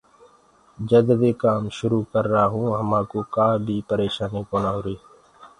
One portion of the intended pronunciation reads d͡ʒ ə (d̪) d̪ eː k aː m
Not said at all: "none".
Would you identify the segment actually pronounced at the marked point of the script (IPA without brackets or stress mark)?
d̪